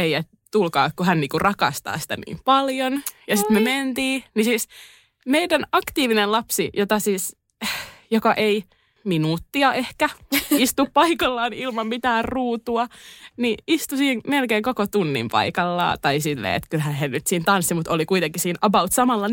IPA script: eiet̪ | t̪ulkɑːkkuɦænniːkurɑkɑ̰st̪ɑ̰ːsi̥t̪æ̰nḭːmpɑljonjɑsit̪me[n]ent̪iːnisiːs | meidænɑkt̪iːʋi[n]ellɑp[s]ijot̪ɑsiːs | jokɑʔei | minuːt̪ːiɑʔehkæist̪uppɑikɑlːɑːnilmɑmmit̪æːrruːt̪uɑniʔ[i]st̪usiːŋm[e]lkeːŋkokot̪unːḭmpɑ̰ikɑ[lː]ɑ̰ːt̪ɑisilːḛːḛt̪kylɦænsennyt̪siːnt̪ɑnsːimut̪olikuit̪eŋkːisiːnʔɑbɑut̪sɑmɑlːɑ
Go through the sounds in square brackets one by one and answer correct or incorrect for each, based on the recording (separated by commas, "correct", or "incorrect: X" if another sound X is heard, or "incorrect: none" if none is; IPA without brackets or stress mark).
incorrect: m, correct, correct, correct, correct, correct